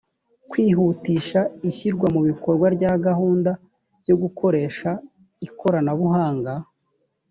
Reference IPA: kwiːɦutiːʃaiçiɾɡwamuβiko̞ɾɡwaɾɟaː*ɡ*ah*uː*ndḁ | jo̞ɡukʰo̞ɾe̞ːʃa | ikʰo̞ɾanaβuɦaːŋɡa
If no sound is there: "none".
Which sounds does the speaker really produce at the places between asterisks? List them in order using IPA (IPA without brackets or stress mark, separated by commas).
ɡ, uː